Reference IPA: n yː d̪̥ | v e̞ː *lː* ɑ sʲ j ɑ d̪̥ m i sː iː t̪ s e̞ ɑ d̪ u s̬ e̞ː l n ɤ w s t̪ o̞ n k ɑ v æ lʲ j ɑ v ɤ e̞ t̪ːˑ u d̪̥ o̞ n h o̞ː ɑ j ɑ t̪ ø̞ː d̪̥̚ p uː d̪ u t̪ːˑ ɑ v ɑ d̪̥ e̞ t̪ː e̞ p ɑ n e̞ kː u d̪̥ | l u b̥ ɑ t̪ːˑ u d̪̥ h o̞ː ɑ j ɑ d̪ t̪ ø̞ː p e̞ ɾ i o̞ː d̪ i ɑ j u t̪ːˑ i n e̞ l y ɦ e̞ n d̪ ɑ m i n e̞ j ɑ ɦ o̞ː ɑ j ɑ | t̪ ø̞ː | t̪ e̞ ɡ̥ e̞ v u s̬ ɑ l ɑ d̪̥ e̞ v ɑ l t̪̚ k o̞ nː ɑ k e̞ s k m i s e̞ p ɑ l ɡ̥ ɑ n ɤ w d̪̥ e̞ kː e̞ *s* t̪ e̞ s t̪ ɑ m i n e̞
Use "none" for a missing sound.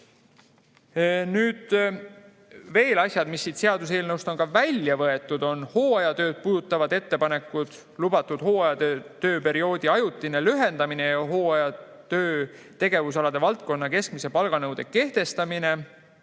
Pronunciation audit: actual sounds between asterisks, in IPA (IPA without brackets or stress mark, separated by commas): l, h